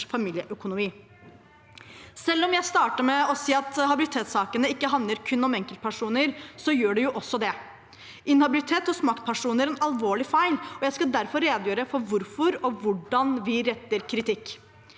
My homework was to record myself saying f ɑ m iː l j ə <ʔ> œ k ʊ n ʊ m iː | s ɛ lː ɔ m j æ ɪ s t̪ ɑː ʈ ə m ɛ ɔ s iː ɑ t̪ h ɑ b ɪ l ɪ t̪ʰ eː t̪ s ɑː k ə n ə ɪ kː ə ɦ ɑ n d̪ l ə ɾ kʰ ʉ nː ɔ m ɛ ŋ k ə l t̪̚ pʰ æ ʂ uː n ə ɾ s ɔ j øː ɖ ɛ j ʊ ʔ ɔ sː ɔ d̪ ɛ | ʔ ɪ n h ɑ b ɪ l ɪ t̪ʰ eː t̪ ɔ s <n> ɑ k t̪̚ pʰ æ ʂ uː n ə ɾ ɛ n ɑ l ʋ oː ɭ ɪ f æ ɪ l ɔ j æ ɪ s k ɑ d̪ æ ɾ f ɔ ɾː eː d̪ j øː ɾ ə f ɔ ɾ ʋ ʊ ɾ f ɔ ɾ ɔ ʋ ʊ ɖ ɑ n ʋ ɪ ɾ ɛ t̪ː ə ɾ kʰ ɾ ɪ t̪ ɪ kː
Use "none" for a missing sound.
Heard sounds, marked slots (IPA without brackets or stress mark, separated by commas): ʔ, m